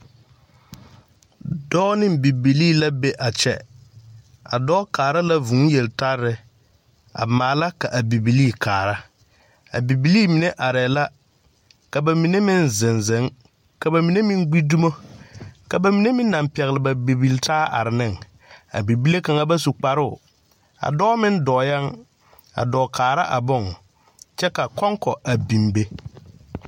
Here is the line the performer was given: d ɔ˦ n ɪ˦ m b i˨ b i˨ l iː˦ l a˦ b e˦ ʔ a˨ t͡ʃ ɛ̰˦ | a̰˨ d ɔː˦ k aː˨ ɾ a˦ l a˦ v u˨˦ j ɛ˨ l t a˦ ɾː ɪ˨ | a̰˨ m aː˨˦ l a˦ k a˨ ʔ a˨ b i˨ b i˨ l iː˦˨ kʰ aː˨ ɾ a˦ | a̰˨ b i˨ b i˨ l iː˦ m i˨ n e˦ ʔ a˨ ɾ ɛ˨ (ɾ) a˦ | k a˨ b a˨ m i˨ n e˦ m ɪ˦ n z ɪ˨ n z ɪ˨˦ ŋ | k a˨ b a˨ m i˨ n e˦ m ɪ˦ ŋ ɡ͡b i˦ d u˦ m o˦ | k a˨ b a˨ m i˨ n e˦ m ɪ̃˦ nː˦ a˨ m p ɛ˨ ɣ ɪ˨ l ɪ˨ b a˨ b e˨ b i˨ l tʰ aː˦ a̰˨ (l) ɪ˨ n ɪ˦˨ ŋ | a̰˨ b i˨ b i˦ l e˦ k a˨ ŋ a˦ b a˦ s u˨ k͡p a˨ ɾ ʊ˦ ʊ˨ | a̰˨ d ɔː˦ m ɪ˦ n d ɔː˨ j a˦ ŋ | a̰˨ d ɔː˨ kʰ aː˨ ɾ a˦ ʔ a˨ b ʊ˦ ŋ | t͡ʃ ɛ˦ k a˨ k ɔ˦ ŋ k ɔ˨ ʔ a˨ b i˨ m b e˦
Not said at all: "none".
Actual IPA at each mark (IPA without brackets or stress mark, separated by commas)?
l, ɾ